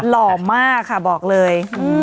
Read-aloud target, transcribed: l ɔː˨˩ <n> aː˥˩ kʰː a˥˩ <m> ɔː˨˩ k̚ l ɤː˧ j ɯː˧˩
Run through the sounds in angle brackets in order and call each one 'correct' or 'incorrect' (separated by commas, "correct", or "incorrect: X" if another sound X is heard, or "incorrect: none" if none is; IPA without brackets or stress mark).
incorrect: m, incorrect: b